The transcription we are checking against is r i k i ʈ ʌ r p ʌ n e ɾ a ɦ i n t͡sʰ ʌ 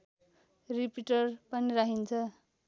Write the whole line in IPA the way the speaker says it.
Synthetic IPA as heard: r i p i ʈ ʌ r p ʌ n i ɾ a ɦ i n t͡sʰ ʌ